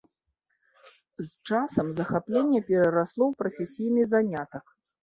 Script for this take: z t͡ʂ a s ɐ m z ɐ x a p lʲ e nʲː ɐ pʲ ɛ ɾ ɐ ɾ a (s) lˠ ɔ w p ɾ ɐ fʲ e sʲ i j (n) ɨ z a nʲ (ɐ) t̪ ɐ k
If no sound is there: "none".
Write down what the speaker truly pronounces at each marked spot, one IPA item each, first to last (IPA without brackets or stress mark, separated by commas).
s, n, a